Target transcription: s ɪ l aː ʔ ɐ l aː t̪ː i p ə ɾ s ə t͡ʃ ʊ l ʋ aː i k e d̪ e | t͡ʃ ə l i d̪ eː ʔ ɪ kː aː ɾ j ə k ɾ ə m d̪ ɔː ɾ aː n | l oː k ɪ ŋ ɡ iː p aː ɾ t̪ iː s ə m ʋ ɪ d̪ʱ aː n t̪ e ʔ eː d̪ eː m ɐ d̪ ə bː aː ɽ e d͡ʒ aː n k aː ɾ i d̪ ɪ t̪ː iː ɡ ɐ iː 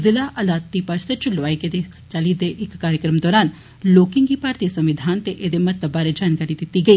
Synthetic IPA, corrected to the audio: z ɪ l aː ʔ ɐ l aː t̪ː i p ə ɾ s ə t͡ʃ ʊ l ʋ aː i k e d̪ e | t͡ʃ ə l i d̪ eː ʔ ɪ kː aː ɾ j ə k ɾ ə m d̪ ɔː ɾ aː n | l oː k ɪ ŋ ɡ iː p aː ɾ t̪ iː s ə m ʋ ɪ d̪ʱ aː n t̪ e ʔ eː d̪ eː m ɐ t̪ ə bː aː ɾ e d͡ʒ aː n k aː ɾ i d̪ ɪ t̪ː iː ɡ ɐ iː

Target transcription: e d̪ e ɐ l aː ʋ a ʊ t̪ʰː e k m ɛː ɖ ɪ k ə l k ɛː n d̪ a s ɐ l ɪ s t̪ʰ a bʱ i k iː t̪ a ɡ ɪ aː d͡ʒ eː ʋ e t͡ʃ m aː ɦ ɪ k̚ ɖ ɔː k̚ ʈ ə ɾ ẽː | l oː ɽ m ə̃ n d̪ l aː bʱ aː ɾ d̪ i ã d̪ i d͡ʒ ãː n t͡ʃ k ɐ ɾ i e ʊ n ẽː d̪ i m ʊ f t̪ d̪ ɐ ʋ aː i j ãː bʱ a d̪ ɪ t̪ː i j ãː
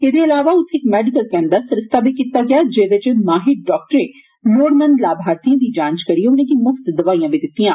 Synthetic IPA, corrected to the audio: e d̪ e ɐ l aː ʋ a ʊ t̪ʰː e k m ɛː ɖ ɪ k ə l k ɛː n d̪ a s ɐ ɾ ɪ s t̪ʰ a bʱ i k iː t̪ a ɡ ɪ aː d͡ʒ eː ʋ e t͡ʃ m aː ɦ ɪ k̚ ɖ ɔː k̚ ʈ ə ɾ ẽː | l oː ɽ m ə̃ n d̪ l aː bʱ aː ɾ t̪ i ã d̪ i d͡ʒ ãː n t͡ʃ k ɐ ɾ i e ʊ n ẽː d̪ i m ʊ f t̪ d̪ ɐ ʋ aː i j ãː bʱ i d̪ ɪ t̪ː i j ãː

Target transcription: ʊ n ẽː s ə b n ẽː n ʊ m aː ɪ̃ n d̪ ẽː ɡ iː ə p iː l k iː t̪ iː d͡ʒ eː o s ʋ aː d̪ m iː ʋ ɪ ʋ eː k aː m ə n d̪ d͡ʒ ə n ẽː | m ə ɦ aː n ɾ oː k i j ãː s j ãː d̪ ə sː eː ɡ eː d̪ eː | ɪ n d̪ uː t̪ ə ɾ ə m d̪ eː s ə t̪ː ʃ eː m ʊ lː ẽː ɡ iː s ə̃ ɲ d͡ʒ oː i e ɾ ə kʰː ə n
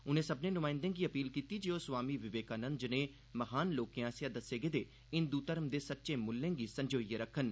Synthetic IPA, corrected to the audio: ʊ n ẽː s ə b n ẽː n ʊ m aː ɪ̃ n d̪ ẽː ɡ iː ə p iː l k iː t̪ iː d͡ʒ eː o s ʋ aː m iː ʋ ɪ ʋ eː k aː n ə n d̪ d͡ʒ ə n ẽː | m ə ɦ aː n l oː k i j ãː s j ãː d̪ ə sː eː ɡ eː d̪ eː | ɪ n d̪ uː t̪ ə ɾ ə m d̪ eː s ə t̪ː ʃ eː m ʊ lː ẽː ɡ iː s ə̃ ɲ d͡ʒ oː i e ɾ ə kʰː ə n

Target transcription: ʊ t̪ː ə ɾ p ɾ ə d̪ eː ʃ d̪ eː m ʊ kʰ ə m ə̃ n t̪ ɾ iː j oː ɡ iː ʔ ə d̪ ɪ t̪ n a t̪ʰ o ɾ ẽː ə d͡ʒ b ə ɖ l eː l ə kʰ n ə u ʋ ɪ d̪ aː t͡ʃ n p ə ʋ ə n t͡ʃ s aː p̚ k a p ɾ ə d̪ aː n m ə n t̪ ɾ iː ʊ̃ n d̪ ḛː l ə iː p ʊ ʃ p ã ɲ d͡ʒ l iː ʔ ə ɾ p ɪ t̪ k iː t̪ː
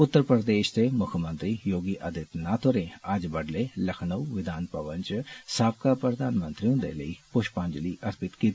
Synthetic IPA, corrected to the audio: ʊ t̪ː ə ɾ p ɾ ə d̪ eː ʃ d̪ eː m ʊ kʰ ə m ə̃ n t̪ ɾ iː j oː ɡ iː ʔ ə d̪ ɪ t̪ n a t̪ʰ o ɾ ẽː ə d͡ʒ b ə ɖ l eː l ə kʰ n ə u ʋ ɪ d̪ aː n p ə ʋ ə n t͡ʃ s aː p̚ k a p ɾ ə d̪ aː n m ə n t̪ ɾ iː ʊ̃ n d̪ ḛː l ə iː p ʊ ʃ p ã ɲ d͡ʒ l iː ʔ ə ɾ p ɪ t̪ k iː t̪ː

